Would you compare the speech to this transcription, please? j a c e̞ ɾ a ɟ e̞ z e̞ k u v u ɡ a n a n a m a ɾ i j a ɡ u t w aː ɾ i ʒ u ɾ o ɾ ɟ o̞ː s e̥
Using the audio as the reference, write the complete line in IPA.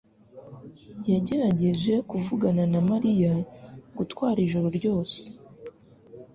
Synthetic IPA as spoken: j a ɟ e̞ ɾ a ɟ e̞ ʒ e̞ k u v u ɡ a n a n a m a ɾ i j a ɡ u t w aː ɾ i ʒ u ɾ o ɾ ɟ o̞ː s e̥